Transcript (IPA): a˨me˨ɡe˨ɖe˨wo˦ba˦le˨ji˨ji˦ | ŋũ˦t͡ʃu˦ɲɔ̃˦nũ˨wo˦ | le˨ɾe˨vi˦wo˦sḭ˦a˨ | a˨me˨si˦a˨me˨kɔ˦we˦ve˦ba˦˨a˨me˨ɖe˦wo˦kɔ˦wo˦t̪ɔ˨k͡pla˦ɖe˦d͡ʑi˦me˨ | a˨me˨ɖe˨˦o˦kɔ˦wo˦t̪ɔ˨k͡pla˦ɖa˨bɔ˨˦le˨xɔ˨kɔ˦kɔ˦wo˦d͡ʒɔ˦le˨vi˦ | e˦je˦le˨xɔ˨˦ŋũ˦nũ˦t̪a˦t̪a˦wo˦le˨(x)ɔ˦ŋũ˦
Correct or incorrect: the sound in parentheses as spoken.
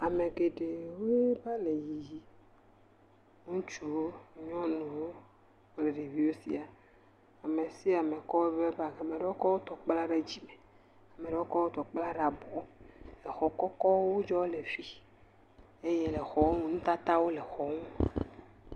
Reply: correct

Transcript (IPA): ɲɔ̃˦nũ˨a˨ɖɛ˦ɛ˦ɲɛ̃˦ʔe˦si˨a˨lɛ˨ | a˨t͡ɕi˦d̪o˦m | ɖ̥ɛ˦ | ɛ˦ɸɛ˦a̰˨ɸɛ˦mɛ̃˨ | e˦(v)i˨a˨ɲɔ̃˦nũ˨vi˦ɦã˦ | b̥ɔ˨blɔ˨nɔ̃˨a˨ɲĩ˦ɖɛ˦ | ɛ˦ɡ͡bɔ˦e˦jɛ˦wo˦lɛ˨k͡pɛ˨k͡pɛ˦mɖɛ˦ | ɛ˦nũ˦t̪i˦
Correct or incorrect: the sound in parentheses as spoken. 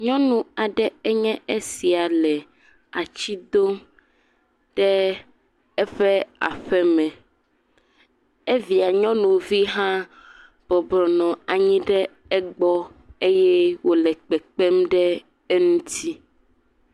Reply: correct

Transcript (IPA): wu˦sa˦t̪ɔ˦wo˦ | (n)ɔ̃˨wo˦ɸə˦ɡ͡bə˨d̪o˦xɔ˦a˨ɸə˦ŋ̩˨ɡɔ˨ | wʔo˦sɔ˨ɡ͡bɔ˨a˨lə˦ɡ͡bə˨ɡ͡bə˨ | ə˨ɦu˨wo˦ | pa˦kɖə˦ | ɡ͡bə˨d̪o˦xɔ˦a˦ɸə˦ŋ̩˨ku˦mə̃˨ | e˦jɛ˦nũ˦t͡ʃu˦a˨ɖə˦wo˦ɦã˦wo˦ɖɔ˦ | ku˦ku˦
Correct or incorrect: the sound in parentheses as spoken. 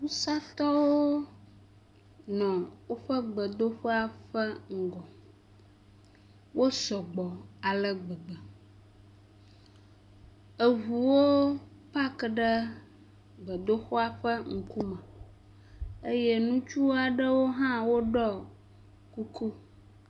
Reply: correct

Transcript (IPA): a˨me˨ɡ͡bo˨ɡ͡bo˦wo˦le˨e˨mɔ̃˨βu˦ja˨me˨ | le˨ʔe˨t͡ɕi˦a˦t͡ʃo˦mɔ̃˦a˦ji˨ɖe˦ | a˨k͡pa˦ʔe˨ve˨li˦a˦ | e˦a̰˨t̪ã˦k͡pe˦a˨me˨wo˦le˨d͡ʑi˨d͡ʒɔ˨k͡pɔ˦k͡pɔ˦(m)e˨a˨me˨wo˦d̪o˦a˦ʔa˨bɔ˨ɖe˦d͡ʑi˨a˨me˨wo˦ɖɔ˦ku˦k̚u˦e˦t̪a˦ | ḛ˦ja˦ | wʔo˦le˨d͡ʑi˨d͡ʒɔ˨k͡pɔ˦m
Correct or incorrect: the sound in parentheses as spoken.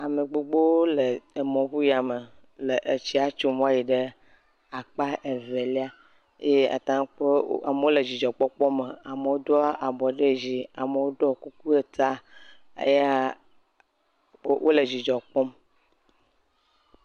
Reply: correct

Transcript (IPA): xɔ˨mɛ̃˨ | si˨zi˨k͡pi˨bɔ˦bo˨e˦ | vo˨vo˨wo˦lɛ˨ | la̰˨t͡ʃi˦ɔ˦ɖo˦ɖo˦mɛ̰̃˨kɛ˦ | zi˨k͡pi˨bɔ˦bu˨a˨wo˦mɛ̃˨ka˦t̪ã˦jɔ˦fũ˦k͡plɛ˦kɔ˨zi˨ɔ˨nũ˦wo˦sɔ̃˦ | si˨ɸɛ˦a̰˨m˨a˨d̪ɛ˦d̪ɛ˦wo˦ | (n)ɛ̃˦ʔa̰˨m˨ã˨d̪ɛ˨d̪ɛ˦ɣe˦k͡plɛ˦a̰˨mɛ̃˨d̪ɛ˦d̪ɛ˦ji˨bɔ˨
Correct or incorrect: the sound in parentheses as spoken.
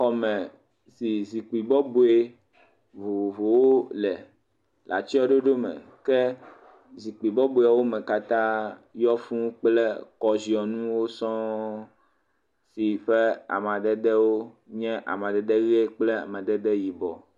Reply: incorrect: ɲ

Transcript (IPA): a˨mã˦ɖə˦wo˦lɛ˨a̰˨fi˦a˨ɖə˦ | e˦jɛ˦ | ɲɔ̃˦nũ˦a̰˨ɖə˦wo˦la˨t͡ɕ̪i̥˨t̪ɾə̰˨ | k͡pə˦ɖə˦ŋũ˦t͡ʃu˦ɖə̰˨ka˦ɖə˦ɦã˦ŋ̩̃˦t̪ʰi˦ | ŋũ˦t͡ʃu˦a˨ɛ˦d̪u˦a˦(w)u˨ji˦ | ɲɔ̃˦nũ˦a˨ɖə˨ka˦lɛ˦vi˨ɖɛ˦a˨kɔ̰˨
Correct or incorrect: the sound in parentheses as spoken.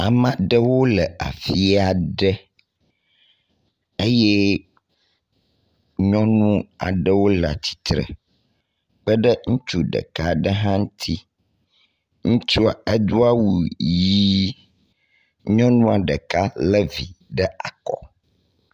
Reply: correct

